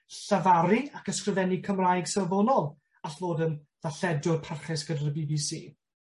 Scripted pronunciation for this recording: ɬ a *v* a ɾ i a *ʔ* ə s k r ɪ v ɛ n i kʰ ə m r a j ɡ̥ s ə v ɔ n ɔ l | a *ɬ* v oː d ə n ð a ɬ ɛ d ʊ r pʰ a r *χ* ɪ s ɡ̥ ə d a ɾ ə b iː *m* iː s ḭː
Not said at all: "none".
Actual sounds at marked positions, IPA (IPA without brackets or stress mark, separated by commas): v, k, ɬ, χ, b